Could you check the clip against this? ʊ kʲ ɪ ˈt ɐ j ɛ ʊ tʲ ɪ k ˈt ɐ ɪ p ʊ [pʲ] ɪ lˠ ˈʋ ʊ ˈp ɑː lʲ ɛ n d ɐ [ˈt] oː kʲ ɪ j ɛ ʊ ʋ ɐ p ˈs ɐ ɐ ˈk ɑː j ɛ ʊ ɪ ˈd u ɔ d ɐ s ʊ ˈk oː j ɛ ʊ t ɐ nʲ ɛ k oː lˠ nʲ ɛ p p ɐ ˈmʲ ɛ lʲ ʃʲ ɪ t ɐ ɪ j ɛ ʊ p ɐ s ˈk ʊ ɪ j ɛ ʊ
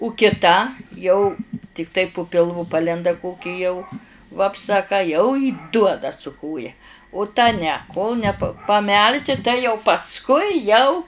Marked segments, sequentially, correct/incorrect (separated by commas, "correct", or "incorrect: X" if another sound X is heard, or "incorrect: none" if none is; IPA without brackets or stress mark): correct, incorrect: k